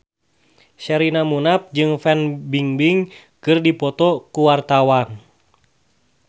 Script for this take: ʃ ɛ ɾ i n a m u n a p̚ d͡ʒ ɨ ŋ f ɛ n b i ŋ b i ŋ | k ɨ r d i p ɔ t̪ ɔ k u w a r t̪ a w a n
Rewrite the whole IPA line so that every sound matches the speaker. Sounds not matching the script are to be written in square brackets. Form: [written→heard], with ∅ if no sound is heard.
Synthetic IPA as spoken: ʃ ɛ ɾ i n a m u n a p̚ d͡ʒ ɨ ŋ f ɛ n b i ŋ b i ŋ | k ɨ r d i p ɔ t̪ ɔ k u w a r t̪ a w a n